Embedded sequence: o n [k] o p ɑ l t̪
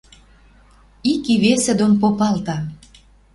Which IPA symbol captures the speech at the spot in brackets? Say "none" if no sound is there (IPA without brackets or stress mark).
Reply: p